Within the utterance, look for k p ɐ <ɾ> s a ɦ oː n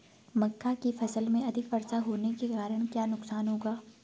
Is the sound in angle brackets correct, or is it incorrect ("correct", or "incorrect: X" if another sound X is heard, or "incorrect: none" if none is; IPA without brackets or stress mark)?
correct